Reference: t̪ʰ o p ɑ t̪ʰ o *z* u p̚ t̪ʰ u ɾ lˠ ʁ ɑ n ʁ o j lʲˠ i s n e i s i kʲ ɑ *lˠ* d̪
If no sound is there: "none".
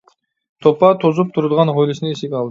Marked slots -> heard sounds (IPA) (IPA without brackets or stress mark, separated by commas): z, lˠ